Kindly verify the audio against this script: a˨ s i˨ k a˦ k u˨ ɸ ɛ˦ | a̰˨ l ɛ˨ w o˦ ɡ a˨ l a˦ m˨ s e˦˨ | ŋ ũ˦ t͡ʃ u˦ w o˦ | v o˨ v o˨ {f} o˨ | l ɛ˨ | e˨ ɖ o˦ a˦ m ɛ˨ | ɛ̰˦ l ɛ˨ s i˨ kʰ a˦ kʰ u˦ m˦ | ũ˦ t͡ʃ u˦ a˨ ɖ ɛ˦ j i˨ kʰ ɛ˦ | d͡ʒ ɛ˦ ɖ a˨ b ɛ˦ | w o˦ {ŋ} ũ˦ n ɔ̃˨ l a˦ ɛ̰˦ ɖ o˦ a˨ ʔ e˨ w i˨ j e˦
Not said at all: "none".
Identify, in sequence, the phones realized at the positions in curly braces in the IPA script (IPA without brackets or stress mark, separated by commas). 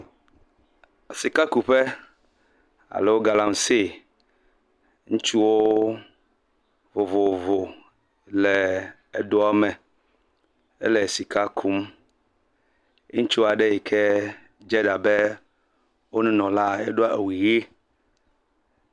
v, n